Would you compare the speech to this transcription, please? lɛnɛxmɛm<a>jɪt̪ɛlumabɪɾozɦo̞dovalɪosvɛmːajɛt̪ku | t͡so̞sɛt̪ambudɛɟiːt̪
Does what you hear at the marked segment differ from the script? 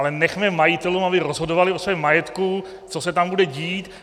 no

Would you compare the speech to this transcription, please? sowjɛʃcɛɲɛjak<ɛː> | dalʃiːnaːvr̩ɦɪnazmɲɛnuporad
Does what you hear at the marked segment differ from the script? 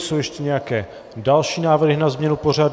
no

